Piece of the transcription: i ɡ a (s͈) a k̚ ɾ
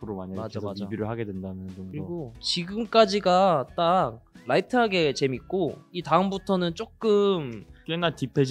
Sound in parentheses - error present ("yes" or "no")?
yes